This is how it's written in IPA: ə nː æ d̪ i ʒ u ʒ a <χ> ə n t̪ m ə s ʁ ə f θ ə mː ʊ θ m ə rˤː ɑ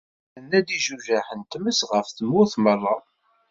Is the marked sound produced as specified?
no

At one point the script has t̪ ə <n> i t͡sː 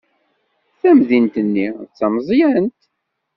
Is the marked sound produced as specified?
no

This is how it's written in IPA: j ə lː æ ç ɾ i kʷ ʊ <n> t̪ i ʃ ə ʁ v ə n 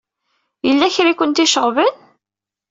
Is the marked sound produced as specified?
yes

